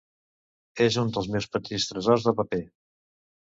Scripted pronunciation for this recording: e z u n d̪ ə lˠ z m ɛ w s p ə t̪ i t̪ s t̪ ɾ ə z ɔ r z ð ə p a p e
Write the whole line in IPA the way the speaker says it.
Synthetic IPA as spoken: e z u n d̪ ə lˠ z m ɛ w s p ə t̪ i s t̪ ɾ ə z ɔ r z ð ə p ə p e